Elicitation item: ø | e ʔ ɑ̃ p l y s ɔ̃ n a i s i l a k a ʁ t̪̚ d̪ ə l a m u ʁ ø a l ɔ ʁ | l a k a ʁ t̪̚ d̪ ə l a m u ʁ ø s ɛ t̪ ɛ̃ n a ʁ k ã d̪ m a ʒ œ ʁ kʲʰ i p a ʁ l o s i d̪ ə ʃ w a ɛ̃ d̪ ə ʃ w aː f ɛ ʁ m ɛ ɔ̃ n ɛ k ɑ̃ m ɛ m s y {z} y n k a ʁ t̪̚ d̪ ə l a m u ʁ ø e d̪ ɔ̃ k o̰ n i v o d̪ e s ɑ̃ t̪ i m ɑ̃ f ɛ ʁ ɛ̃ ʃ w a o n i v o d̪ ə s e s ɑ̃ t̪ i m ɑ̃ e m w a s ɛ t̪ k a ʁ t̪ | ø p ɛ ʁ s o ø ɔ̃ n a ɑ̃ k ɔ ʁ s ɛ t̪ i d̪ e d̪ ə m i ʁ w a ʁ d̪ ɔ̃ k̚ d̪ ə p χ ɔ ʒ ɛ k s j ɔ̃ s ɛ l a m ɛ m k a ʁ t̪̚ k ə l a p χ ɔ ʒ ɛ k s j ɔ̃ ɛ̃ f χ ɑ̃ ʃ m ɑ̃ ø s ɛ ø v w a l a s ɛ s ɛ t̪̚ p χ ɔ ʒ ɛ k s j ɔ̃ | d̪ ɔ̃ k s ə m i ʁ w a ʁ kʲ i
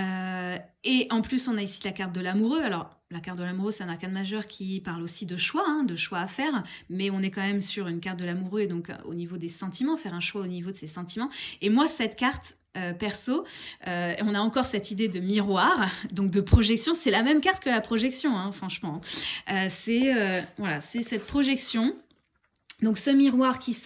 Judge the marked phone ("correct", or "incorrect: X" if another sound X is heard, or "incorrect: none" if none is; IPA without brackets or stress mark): incorrect: ʁ